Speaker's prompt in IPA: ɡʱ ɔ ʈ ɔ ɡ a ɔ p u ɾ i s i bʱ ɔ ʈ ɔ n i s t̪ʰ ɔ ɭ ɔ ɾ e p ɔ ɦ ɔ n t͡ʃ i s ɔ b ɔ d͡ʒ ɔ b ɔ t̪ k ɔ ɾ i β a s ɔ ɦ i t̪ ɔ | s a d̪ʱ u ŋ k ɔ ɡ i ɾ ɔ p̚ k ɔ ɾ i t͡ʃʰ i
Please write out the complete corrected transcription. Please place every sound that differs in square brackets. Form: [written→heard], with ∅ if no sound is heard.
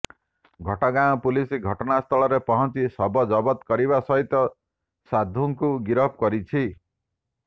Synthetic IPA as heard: ɡʱ ɔ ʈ ɔ ɡ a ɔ p u [ɾ→l] i s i [bʱ→ɡʱ] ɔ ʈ ɔ n [i→a] s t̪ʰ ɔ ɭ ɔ ɾ e p ɔ ɦ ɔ n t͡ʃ i s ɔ b ɔ d͡ʒ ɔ b ɔ t̪ k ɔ ɾ i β a s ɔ ɦ i t̪ ɔ | s a d̪ʱ u ŋ k [ɔ→u] ɡ i ɾ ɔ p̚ k ɔ ɾ i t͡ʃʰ i